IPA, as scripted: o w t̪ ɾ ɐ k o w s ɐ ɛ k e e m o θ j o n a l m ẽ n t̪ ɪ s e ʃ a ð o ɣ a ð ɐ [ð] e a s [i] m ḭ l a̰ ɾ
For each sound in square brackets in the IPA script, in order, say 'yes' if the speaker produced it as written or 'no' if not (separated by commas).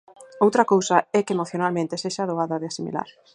yes, yes